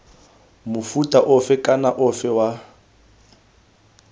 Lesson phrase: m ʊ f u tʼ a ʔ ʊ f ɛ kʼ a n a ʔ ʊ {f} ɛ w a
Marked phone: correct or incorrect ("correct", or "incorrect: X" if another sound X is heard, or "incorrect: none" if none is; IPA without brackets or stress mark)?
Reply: correct